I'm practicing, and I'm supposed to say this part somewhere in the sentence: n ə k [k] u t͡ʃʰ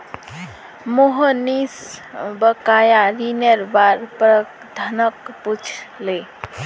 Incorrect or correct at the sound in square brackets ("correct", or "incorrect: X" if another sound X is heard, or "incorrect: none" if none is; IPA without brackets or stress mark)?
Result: incorrect: p